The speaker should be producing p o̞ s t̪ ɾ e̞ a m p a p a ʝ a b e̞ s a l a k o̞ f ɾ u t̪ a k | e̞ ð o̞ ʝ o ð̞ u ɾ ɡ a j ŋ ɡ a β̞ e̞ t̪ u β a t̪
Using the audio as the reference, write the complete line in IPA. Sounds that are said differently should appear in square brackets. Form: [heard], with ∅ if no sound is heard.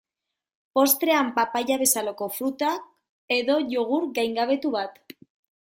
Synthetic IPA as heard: p o̞ s t̪ ɾ e̞ a m p a p a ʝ a [β] e̞ s a l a k o̞ f ɾ u t̪ a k | e̞ ð o̞ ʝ o [ɣ̞] u ɾ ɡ a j ŋ ɡ a β̞ e̞ t̪ u β a t̪